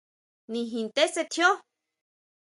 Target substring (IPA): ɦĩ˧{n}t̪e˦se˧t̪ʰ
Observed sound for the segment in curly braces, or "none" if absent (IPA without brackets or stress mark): n